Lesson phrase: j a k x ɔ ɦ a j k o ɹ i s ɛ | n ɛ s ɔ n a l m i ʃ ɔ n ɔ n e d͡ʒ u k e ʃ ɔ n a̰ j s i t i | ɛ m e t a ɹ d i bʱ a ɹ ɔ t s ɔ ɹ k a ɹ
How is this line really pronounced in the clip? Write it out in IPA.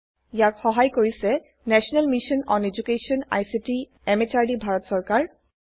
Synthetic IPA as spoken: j a k x ɔ ɦ a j k o ɹ i s ɛ | n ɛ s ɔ n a l m i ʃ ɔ n ɔ n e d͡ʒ u k e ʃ ɔ n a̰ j s i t i | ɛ m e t a ɹ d i bʱ a ɹ ɔ t s ɔ ɹ k a ɹ